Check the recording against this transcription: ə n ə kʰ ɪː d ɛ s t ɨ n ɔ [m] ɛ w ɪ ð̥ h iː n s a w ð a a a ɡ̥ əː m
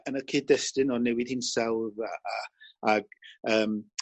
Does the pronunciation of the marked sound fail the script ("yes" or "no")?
yes